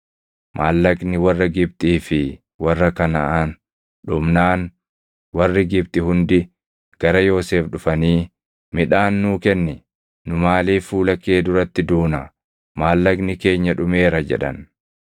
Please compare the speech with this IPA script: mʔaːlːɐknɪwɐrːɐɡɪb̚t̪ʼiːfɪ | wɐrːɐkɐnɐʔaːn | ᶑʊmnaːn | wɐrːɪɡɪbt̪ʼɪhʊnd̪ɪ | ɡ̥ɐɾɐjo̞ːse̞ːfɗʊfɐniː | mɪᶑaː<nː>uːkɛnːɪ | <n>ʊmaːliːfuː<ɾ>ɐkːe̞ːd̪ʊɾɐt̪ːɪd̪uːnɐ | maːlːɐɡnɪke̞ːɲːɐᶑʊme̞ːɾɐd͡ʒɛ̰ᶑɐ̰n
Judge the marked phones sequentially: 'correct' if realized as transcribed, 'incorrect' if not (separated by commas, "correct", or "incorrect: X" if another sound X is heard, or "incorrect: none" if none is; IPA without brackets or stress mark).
correct, correct, incorrect: l